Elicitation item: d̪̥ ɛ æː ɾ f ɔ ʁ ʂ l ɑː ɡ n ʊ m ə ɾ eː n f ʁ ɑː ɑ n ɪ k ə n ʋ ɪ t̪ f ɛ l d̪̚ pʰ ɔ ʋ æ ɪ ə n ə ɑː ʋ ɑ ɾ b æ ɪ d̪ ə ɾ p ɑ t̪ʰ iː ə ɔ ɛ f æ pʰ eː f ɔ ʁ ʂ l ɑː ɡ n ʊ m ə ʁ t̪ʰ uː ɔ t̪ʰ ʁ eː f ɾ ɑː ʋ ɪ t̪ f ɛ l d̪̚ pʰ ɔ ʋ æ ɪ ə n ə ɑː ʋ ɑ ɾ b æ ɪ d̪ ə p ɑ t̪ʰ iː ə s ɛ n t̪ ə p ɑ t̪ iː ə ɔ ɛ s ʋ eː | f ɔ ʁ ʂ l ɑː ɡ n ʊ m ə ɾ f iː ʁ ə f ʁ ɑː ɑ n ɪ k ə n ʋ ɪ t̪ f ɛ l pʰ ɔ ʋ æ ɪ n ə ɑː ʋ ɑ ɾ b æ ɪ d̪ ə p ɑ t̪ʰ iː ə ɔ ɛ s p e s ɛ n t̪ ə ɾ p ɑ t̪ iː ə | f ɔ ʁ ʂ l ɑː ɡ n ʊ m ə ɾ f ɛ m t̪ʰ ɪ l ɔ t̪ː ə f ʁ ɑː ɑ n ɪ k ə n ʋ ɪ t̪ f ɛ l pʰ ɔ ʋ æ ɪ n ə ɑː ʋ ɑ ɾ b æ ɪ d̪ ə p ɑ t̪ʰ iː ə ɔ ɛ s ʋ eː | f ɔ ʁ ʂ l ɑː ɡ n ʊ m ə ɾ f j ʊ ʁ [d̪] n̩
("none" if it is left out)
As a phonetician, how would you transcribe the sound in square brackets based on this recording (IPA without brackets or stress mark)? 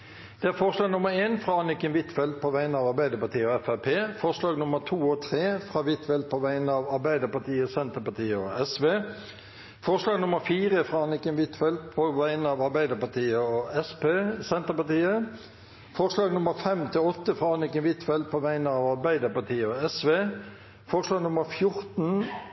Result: t̪